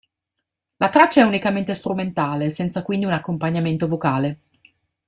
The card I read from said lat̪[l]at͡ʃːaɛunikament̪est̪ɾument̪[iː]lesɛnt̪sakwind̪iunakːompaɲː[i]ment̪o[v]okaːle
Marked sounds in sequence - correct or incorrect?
incorrect, incorrect, incorrect, correct

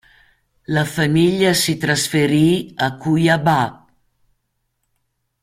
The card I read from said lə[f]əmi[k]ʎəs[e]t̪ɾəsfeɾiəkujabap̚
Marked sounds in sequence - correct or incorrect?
correct, incorrect, incorrect

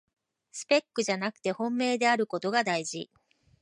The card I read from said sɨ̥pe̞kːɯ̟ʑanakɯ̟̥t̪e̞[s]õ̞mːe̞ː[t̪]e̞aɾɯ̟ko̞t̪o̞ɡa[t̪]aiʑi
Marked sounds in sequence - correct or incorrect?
incorrect, incorrect, incorrect

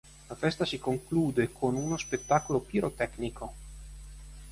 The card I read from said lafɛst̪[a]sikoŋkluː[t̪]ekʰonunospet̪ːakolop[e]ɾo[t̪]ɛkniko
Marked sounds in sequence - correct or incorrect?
correct, incorrect, incorrect, correct

